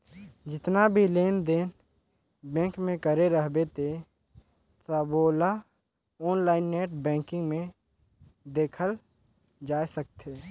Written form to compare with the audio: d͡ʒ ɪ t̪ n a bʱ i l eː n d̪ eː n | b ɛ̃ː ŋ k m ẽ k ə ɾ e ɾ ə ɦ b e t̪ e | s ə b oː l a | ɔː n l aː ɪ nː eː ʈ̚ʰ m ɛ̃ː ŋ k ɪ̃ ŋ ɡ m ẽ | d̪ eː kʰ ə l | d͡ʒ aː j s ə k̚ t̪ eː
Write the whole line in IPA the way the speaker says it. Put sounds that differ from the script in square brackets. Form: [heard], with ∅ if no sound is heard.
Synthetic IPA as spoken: d͡ʒ ɪ t̪ n a bʱ i l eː n d̪ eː n | b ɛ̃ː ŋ k m ẽ k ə ɾ e ɾ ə ɦ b e t̪ e | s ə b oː l a | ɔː n l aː ɪ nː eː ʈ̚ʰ [b] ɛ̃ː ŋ k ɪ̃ ŋ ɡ m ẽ | d̪ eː kʰ ə l | d͡ʒ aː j s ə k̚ t̪ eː